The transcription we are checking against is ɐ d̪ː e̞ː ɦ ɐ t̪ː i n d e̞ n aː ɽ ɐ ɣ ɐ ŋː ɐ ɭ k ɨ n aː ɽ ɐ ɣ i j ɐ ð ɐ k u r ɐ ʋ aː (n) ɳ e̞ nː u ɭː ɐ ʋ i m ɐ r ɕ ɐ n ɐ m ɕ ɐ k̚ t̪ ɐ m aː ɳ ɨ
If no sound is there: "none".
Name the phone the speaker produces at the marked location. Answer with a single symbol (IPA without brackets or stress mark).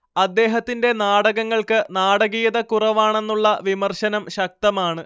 none